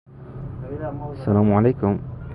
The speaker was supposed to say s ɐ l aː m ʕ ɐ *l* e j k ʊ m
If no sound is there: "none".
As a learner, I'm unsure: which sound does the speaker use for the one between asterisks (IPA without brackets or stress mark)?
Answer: l